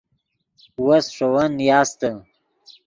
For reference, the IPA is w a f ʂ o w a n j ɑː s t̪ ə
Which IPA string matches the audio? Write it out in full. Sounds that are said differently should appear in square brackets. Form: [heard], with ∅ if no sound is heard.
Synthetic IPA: w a [s] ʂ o w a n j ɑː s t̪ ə